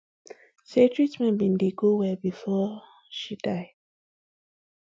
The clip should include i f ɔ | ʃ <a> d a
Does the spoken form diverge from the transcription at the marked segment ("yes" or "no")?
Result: yes